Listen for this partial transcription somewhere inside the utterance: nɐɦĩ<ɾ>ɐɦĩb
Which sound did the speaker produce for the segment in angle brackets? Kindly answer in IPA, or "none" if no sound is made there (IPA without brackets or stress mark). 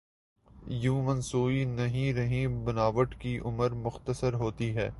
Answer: ɾ